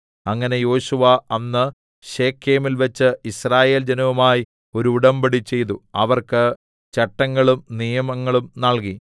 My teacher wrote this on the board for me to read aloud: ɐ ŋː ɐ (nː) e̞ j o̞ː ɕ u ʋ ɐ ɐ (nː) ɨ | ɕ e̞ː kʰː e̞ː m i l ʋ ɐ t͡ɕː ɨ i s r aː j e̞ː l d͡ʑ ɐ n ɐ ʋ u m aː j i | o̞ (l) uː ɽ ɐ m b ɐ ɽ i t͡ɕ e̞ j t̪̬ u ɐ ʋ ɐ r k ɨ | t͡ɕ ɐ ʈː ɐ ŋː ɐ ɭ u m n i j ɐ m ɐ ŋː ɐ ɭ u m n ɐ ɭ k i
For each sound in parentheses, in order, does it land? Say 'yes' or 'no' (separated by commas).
no, yes, no